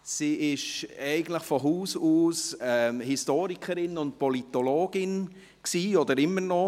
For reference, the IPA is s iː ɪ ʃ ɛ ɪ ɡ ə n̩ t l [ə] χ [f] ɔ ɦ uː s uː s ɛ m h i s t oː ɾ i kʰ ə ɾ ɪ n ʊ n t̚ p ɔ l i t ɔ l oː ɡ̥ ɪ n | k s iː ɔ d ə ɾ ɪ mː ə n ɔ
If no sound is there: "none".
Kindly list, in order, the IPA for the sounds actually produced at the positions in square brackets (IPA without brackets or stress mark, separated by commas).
ə, f